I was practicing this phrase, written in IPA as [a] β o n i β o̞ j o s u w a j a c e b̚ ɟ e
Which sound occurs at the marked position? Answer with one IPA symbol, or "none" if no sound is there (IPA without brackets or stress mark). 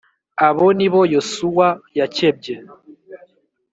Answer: a